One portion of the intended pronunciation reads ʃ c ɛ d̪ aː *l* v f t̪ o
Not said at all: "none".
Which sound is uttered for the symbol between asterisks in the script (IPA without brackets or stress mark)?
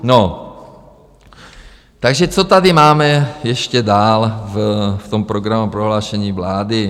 l